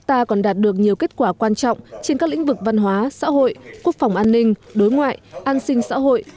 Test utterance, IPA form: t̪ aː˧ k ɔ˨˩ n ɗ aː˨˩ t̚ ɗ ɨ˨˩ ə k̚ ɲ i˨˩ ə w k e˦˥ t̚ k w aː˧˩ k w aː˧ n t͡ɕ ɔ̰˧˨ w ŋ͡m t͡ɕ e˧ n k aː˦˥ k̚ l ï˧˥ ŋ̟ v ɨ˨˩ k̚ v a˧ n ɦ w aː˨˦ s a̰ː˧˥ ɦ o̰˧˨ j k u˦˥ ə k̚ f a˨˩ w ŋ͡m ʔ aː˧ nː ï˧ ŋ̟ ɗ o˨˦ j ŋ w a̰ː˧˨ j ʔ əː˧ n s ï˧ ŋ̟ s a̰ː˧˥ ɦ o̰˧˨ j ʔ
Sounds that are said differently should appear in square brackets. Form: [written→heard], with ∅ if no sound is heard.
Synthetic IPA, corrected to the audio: t̪ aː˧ k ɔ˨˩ n ɗ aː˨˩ t̚ ɗ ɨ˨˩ ə k̚ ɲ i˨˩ ə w k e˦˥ t̚ k w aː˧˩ k w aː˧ n t͡ɕ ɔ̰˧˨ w ŋ͡m t͡ɕ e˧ n k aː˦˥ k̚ l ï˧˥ ŋ̟ v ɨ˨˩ k̚ v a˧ n ɦ w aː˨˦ s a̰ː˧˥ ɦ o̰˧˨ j k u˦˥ ə k̚ f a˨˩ w ŋ͡m ʔ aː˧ nː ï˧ ŋ̟ ɗ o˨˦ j ŋ w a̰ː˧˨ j ʔ [əː˧→aː˧] n s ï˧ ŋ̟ s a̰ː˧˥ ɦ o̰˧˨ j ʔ